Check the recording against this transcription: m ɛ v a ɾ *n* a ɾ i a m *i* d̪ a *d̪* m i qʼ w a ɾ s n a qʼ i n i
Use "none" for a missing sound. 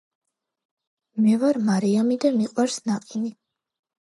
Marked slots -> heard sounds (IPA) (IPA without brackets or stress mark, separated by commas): m, i, none